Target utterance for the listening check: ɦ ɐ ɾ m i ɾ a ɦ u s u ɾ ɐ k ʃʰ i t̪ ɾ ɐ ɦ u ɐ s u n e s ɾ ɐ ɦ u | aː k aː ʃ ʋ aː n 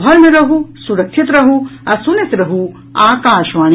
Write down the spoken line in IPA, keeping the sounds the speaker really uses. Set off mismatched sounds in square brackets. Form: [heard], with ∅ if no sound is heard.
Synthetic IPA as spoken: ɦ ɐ ɾ m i ɾ [ɐ] ɦ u s u ɾ ɐ k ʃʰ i t̪ ɾ ɐ ɦ u ɐ s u n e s ɾ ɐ ɦ u | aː k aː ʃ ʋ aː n